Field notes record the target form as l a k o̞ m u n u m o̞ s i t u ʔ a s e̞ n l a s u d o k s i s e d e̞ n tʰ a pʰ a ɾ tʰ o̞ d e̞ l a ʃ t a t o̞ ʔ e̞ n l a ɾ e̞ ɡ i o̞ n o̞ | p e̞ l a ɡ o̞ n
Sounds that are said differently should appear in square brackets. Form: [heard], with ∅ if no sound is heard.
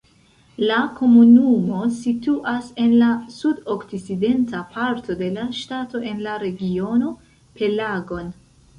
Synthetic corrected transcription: l a k o̞ m u n u m o̞ s i t u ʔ a s e̞ n l a s u d o k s i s [i] d e̞ n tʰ a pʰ a ɾ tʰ o̞ d e̞ l a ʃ t a t o̞ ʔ e̞ n l a ɾ e̞ ɡ i o̞ n o̞ | p e̞ l a ɡ o̞ n